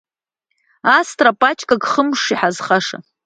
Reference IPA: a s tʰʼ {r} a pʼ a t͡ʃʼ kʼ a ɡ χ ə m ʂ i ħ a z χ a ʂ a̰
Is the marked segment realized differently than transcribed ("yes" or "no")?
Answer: no